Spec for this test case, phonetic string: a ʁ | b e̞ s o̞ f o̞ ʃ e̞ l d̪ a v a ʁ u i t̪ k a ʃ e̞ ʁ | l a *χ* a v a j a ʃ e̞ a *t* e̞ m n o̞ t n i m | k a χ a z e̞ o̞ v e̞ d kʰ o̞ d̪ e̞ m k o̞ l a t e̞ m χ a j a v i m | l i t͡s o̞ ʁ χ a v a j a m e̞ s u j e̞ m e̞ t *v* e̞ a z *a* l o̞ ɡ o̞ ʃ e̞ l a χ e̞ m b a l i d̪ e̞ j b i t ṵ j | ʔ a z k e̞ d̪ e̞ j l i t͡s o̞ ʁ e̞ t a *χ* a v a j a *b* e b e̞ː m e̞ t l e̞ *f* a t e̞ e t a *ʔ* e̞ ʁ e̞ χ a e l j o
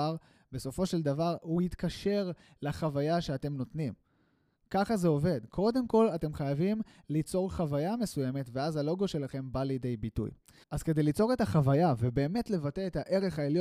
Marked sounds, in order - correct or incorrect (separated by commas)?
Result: correct, correct, correct, correct, correct, incorrect, incorrect, correct